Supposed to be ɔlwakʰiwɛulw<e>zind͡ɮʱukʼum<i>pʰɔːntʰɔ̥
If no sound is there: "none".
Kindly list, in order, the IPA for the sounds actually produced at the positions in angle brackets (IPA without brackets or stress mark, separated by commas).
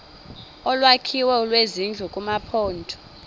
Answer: e, a